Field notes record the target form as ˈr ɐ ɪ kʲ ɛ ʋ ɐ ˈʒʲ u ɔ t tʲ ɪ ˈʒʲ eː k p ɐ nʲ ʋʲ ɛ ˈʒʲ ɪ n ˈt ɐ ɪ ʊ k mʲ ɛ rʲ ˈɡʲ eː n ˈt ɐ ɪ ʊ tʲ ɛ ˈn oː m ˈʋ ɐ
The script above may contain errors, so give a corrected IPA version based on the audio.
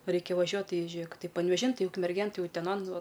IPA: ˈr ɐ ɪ kʲ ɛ ʋ ɐ ˈʒʲ u ɔ t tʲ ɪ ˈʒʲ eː k p ɐ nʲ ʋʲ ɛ ˈʒʲ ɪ n ˈt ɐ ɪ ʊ k mʲ ɛ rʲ ˈɡʲ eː n ˈt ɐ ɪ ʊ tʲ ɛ ˈn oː n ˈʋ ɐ